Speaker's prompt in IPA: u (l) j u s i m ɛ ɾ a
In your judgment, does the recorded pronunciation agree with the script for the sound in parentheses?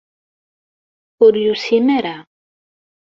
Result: no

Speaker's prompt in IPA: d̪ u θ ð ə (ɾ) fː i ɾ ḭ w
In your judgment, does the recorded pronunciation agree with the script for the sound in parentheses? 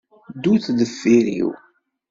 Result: no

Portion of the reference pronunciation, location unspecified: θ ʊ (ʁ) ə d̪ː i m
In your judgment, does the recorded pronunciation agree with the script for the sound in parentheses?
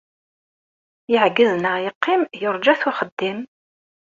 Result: no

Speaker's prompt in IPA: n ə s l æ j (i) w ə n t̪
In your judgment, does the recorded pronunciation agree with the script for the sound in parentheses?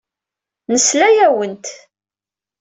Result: no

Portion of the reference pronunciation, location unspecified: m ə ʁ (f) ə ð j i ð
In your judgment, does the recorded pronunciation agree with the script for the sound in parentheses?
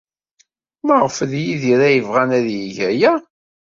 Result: yes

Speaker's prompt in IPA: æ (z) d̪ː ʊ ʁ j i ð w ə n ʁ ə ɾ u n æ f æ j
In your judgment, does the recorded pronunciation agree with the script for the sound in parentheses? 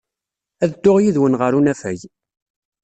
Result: no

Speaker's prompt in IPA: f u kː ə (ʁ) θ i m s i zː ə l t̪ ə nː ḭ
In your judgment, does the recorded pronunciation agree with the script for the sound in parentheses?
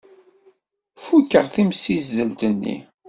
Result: yes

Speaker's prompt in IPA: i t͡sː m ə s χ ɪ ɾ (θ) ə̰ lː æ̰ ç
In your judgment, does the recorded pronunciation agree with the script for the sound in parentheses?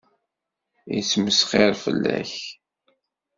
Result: no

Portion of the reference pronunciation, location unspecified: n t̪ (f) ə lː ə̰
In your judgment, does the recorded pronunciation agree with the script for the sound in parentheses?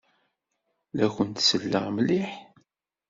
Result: no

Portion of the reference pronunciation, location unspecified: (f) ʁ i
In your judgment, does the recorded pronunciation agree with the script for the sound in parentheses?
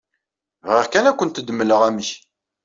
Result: no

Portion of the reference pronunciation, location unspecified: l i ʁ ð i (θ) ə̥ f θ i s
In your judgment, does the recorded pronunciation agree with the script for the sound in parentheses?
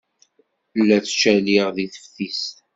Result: yes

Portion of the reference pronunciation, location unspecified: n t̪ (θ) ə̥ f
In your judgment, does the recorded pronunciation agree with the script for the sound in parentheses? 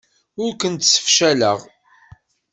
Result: no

